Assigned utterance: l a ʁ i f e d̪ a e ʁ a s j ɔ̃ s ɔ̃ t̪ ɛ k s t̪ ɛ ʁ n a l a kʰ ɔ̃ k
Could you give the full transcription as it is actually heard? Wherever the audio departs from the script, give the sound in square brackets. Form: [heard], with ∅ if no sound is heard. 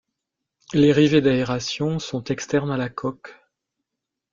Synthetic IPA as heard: l [e] ʁ i [v] e d̪ a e ʁ a s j ɔ̃ s ɔ̃ t̪ ɛ k s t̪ ɛ ʁ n a l a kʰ [ɔ] k